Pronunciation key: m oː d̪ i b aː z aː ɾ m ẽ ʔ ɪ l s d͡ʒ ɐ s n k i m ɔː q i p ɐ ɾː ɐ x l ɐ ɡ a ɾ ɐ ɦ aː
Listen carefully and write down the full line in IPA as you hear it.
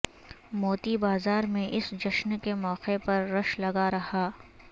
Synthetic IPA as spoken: m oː t̪ i b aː z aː ɾ m ẽ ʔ ɪ s d͡ʒ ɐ ʃ n k e m ɔː q e p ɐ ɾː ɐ ʃ l ɐ ɡ a ɾ ɐ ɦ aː